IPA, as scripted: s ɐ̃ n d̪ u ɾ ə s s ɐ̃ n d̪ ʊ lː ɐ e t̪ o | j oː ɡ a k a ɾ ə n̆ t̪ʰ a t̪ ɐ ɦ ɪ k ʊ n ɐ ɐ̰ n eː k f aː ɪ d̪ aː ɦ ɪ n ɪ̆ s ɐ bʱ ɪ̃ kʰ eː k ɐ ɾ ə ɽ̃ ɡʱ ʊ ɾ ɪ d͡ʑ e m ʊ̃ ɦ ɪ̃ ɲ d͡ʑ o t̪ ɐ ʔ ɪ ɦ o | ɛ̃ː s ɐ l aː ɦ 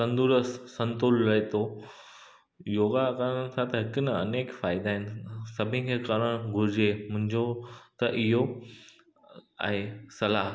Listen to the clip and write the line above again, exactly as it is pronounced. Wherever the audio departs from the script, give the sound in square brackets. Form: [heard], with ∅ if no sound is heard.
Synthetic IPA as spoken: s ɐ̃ n d̪ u ɾ ə s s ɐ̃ n [t̪] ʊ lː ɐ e t̪ o | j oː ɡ a k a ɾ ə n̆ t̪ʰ a t̪ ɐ ɦ ɪ k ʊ n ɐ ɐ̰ n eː k f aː ɪ d̪ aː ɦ ɪ n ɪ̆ s ɐ bʱ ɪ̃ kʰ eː k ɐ ɾ ə ɽ̃ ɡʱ ʊ ɾ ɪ d͡ʑ e m ʊ̃ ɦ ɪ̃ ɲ d͡ʑ o t̪ ɐ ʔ ɪ ɦ o | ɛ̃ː s ɐ l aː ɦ